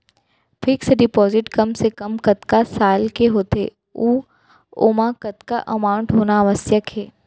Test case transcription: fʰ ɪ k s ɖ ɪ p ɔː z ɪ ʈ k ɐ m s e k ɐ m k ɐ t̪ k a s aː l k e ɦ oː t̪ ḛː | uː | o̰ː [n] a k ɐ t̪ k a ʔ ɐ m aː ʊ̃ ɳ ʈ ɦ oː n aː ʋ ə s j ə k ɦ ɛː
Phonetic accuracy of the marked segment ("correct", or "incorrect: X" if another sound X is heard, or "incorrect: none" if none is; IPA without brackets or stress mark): incorrect: m